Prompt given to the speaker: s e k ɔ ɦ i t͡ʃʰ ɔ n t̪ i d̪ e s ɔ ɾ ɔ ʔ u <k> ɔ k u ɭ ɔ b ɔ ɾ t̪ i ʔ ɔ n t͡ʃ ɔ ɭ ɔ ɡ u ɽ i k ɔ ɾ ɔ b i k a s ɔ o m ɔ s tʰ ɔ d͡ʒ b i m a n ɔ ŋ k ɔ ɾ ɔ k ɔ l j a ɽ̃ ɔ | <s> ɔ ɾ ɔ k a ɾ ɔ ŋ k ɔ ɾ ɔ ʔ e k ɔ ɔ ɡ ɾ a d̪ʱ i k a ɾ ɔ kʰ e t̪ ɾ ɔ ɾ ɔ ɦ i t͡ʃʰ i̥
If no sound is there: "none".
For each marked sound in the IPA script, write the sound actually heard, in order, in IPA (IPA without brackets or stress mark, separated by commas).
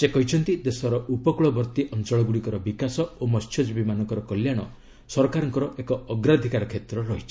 p, s